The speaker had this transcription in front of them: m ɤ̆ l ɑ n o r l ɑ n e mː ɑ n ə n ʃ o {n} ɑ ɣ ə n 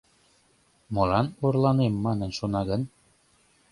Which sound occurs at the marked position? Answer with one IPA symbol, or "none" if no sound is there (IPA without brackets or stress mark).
n